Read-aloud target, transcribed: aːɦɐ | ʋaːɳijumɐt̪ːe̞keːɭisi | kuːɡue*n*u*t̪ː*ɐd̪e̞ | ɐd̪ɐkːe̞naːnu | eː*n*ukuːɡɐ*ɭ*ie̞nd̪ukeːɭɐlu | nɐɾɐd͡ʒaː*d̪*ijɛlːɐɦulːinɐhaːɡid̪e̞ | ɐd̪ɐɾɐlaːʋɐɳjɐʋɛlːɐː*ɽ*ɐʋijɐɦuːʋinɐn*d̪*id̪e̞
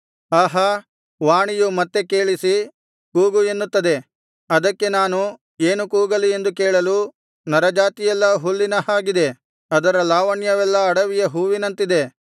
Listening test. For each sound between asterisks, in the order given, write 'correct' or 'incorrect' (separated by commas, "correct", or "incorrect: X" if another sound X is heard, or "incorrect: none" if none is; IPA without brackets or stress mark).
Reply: incorrect: nː, correct, correct, incorrect: l, incorrect: t̪, correct, incorrect: t̪